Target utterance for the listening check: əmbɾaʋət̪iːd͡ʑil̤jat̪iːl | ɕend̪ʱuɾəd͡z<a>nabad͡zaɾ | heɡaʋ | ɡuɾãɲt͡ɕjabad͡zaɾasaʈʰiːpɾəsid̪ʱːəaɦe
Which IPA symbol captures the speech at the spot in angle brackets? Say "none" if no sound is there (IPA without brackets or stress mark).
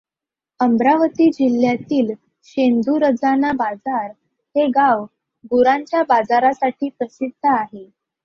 a